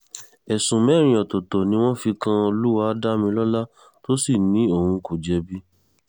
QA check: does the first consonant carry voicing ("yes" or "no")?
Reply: no